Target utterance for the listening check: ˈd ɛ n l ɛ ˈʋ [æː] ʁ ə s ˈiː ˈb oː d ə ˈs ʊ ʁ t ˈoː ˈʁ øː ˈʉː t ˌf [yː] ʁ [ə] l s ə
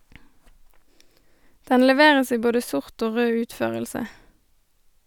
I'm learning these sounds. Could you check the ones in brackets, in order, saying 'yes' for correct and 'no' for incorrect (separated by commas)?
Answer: no, no, yes